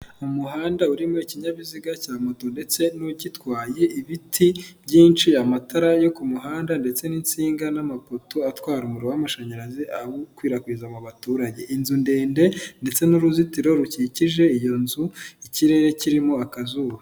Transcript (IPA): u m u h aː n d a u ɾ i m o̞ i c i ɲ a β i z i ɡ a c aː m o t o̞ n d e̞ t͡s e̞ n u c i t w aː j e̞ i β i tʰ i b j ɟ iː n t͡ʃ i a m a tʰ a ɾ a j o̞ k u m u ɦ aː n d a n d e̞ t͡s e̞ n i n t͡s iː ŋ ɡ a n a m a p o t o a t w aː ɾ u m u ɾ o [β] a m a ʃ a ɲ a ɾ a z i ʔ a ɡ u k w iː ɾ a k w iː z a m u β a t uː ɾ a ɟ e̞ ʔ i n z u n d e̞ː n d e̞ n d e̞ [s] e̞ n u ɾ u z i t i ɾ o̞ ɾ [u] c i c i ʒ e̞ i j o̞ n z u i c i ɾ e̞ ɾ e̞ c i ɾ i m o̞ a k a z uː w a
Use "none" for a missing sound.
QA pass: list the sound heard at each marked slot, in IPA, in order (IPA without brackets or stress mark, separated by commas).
w, t͡s, u